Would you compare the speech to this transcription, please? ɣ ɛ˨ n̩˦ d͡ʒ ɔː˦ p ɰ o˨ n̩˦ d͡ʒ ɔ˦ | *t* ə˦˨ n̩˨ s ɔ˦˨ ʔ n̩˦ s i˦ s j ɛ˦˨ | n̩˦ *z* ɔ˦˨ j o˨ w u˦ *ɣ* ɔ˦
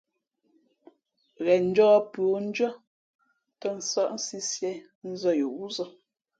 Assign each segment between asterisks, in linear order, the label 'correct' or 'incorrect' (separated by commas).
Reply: correct, correct, incorrect